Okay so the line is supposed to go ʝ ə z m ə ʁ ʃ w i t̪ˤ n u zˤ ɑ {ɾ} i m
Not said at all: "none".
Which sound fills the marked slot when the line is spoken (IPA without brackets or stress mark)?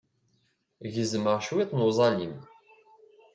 l